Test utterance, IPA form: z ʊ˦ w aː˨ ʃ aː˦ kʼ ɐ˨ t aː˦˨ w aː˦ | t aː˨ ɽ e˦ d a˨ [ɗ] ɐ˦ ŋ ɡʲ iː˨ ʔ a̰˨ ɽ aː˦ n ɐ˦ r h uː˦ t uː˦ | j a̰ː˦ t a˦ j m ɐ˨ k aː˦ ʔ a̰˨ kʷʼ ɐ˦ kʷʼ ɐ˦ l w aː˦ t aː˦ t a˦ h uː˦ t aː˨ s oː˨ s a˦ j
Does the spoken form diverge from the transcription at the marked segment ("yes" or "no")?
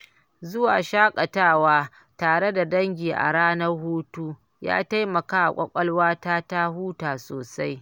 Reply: yes